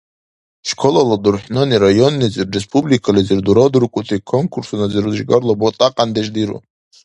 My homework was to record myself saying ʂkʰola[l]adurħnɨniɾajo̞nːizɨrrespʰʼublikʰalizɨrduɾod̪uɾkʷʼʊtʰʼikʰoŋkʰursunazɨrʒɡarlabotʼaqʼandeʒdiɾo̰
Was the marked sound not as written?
no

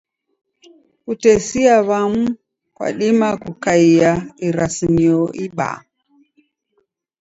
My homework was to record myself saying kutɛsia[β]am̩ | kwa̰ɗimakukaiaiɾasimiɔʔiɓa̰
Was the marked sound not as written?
no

